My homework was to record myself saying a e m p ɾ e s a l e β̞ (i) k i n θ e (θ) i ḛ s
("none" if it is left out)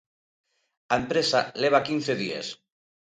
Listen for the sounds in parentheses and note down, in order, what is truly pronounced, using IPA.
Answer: a, ð

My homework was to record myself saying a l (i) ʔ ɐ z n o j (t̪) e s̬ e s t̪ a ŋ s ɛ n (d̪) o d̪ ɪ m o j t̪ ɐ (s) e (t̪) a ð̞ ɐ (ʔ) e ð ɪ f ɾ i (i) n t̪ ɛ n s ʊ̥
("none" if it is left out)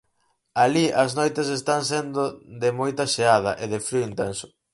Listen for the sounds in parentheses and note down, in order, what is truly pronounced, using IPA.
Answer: i, t̪, d̪, ʃ, none, ʔ, i

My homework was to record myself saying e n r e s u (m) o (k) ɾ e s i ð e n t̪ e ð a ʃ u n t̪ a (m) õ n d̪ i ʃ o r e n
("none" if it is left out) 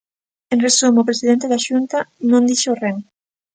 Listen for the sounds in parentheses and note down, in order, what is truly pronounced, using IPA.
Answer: m, p, n

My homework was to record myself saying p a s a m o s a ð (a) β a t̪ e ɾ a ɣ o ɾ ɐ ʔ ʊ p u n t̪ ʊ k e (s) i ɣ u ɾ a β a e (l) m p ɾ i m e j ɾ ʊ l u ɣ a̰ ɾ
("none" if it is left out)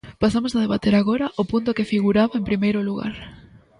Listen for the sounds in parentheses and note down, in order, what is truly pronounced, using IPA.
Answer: e, f, none

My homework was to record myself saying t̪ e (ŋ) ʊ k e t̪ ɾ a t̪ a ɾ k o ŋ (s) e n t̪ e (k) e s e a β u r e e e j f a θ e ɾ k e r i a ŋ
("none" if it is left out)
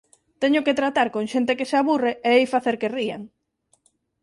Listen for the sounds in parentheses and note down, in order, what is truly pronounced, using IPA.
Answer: ɲ, ʃ, k

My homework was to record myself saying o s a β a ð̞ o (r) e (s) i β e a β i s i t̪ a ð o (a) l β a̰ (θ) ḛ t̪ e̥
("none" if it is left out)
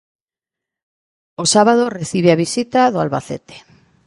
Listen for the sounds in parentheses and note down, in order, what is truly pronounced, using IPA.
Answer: r, θ, a, θ

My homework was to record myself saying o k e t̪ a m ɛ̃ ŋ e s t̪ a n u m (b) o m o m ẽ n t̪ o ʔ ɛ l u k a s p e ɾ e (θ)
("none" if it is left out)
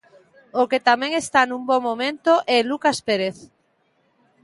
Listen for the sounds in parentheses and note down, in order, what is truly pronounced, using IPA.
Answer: b, θ

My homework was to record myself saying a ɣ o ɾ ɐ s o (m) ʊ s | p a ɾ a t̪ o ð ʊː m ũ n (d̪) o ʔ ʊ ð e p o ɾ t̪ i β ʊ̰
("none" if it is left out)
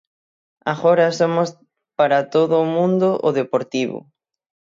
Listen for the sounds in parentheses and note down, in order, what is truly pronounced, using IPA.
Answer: m, d̪

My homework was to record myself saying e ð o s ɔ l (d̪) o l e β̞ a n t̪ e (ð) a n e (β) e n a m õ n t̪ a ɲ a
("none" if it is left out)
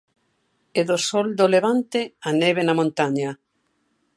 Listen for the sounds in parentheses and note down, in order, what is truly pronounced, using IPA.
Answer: d̪, none, β

